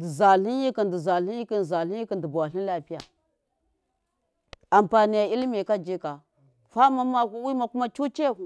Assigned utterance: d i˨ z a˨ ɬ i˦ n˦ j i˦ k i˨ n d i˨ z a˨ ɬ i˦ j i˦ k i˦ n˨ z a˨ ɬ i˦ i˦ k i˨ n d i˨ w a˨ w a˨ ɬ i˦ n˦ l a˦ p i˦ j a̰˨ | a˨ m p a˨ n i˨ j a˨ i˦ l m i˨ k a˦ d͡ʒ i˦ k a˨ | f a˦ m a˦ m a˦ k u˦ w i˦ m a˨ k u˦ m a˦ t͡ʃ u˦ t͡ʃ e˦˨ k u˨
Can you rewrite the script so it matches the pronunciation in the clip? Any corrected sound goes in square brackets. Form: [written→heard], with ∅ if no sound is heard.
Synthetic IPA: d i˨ z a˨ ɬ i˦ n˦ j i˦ k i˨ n d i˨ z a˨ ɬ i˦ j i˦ k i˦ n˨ z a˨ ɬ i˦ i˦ k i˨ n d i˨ [w→b] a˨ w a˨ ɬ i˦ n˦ l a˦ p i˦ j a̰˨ | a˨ m p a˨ n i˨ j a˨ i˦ l m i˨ k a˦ d͡ʒ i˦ k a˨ | f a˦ m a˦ m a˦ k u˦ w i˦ m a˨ k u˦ m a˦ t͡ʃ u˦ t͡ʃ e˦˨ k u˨